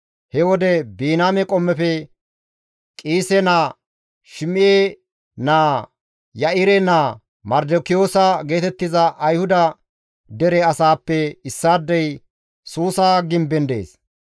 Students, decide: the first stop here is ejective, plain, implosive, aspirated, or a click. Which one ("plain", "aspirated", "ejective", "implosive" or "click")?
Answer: plain